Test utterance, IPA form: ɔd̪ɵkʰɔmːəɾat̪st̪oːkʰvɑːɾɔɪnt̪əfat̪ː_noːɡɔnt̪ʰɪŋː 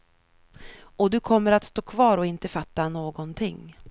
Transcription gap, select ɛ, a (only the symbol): a